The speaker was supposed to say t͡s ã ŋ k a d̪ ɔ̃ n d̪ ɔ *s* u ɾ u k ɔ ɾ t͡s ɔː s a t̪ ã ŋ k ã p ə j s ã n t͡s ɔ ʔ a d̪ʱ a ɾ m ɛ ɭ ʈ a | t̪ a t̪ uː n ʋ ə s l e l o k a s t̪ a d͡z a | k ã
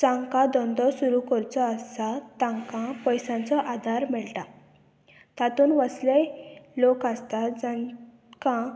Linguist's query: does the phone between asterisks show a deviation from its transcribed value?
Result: no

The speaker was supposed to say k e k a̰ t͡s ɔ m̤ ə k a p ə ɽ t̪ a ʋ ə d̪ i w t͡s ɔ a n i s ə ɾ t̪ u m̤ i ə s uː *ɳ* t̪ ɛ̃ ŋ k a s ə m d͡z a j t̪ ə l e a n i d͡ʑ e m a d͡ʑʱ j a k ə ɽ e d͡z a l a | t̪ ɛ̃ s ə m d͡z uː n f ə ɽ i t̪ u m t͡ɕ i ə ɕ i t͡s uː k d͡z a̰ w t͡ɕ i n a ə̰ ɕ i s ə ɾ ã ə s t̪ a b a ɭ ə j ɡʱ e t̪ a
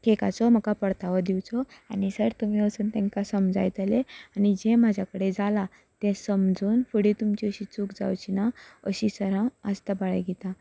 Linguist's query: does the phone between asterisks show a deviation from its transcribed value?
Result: yes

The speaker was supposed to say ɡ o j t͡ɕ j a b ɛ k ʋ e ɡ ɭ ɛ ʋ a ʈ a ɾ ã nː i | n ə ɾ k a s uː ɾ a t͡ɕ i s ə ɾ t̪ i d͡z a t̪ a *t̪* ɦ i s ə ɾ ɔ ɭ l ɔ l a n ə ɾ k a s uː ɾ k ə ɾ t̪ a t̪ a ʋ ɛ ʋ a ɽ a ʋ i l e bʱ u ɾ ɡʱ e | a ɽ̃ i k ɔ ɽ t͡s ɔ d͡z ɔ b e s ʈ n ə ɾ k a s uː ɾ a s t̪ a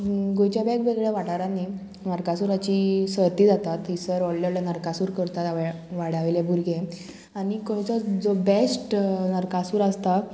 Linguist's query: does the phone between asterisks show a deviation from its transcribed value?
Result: no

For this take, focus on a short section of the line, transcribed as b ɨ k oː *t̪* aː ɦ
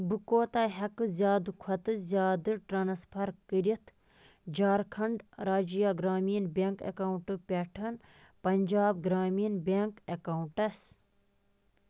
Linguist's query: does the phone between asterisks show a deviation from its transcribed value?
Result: no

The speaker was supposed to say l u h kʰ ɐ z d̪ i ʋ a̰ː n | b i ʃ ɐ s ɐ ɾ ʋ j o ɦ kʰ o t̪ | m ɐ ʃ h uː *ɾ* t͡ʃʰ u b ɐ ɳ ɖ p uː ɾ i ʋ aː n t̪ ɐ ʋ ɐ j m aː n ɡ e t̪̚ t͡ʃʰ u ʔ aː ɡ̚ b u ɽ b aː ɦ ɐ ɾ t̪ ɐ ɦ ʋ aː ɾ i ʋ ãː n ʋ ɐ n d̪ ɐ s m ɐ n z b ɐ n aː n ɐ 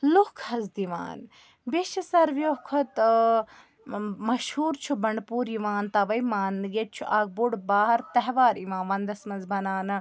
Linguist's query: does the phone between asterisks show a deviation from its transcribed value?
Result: no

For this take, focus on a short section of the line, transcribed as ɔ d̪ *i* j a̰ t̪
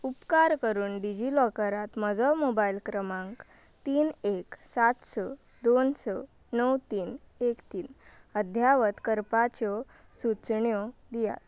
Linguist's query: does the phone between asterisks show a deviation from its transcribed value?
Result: no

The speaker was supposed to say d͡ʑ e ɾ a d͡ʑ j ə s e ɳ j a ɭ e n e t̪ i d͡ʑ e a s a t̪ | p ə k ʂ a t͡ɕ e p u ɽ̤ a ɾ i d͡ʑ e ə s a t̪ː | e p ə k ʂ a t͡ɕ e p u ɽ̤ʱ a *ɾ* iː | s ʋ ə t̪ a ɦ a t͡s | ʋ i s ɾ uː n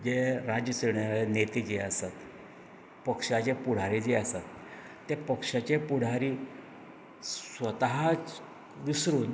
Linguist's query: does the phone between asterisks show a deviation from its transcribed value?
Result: no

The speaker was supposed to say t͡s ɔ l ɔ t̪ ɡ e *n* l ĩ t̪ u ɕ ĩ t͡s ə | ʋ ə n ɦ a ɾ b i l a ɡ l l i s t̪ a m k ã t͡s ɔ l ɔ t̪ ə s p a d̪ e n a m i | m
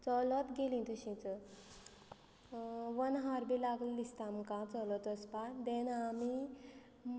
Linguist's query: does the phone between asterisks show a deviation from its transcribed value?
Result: yes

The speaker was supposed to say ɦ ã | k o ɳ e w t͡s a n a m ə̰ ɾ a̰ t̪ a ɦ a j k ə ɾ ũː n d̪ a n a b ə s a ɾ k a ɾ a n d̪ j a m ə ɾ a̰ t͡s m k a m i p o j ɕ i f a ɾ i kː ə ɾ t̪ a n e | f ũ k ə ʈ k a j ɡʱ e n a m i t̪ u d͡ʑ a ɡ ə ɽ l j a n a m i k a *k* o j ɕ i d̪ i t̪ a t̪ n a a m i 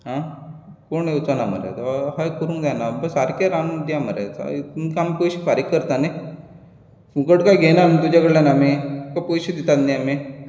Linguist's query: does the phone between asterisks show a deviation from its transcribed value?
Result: yes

